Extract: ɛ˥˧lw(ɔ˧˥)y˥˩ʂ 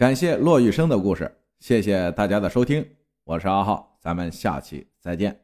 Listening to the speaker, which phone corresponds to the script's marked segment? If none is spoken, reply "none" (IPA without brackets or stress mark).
ɔ˥˧